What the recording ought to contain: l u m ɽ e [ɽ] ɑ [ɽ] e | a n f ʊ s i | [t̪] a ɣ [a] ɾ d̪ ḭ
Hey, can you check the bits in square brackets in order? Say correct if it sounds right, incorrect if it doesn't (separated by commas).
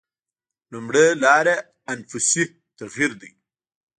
incorrect, incorrect, correct, incorrect